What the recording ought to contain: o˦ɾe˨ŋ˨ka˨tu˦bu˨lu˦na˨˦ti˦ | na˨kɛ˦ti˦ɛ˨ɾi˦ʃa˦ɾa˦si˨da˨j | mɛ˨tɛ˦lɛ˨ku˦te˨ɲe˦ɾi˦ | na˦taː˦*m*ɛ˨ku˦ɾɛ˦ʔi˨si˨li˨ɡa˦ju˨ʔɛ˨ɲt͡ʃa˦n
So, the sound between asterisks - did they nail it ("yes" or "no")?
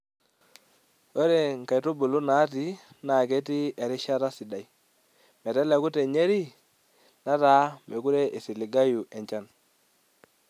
yes